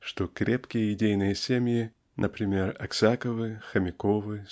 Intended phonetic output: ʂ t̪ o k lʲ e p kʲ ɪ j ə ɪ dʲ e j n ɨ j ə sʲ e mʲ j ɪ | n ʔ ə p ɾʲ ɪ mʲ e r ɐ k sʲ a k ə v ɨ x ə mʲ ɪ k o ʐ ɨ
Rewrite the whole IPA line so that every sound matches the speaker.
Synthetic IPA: ʂ t̪ o k ɾʲ e p kʲ ɪ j ə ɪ dʲ e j n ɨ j ə sʲ e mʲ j ɪ | n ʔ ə p ɾʲ ɪ mʲ e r ɐ k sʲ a k ə v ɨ x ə mʲ ɪ k o v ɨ